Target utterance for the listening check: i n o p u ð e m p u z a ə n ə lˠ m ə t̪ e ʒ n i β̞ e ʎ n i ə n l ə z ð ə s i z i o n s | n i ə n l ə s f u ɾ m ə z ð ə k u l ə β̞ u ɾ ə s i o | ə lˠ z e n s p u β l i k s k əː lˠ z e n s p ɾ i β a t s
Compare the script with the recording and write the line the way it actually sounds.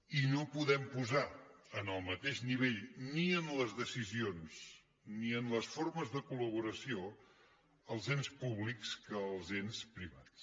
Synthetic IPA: i n o p u ð ɛ m p u z a ə n ə lˠ m ə t̪ e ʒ n i β̞ e ʎ n i ə n l ə z ð ə s i z i o n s | n i ə n l ə s f o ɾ m ə z ð ə k u l ə β̞ u ɾ ə s i o | ə lˠ z e n s p u β l i k s k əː lˠ z e n s p ɾ i β a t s